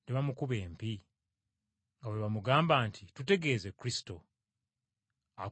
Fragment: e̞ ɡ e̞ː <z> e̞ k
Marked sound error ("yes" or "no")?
no